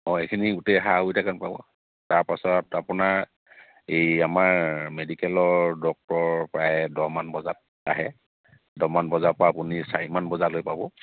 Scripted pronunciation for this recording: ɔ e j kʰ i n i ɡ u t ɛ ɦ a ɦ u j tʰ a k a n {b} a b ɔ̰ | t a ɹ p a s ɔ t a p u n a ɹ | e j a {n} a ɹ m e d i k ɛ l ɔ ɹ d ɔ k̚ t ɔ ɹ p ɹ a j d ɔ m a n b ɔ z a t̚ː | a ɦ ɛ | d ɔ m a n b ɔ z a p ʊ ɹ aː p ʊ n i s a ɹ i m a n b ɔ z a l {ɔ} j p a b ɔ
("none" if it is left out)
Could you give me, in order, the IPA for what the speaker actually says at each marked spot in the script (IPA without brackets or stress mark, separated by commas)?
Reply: p, m, o